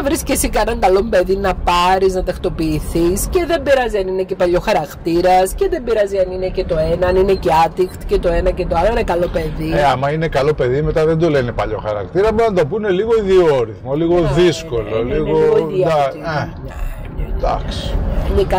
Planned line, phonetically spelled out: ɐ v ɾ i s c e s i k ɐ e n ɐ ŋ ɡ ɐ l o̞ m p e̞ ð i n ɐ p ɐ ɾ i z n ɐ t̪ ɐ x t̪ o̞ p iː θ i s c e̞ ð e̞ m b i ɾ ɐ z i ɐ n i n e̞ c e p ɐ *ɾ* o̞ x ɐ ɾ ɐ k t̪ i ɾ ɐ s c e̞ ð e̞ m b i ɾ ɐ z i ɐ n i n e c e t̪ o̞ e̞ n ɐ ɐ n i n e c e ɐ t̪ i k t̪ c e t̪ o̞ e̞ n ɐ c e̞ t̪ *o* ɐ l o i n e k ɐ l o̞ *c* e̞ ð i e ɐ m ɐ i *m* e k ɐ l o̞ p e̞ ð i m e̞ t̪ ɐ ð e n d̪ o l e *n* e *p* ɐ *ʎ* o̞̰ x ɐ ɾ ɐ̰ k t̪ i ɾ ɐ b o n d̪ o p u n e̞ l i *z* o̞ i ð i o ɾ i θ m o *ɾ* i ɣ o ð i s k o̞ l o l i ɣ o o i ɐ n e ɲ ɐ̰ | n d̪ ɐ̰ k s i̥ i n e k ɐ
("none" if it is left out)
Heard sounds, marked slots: ʎ, o, p, n, n, p, ʎ, ɣ, l

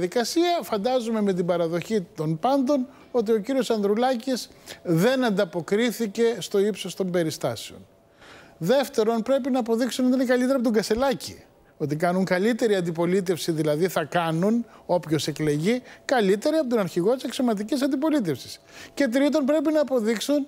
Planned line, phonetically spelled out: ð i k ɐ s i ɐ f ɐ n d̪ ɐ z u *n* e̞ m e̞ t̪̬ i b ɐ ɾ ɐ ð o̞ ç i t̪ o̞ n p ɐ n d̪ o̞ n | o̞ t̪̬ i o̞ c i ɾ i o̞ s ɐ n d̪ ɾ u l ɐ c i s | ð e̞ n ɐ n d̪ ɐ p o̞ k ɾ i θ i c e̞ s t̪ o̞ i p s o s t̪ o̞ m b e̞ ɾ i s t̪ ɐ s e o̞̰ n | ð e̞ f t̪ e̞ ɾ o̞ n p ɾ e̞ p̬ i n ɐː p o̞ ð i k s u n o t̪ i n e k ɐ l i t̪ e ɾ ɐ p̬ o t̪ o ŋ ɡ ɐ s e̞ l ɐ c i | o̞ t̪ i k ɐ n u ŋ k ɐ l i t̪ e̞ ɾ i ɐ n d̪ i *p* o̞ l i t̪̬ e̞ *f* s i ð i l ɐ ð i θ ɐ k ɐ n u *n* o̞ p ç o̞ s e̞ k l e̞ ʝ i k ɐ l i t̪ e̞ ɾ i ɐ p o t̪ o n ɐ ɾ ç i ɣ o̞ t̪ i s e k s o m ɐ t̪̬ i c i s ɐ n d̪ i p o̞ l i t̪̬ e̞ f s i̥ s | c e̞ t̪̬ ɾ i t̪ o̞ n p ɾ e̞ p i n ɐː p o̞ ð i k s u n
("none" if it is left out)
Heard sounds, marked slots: m, p, f, n

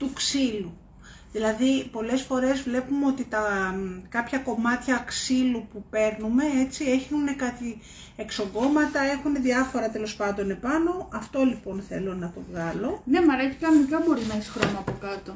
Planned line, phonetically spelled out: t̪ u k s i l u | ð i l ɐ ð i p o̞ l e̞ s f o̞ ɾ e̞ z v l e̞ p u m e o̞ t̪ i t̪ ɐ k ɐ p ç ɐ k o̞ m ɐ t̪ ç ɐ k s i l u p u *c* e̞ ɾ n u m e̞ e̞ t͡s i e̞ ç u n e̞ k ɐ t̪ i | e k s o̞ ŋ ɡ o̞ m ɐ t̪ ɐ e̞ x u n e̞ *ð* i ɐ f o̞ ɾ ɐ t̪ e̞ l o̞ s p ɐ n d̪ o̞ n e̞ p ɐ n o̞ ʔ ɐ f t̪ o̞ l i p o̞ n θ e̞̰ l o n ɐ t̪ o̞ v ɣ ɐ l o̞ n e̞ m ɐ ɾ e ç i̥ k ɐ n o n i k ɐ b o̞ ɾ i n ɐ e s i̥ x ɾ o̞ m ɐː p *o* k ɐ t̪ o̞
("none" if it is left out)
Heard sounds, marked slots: p, ð, o

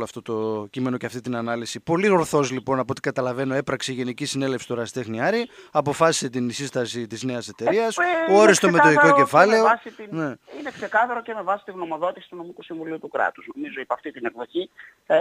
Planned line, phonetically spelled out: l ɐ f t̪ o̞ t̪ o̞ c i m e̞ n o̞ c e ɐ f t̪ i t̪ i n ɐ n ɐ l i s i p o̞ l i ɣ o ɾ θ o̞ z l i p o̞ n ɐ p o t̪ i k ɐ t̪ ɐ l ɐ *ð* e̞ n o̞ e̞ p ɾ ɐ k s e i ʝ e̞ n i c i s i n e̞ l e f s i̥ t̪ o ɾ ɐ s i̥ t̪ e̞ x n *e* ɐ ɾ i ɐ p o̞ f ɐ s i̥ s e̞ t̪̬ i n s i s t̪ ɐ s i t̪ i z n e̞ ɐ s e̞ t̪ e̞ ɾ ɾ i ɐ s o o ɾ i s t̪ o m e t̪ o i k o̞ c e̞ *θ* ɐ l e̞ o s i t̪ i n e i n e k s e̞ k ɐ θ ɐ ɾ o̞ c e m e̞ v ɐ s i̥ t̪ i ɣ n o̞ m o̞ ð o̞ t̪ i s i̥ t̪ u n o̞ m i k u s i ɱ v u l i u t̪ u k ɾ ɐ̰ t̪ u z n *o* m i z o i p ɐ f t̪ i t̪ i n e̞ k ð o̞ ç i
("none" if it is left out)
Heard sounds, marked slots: v, i, f, o

